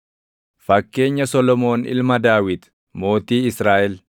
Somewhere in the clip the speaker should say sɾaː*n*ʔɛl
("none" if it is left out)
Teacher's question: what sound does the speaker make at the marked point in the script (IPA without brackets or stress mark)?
none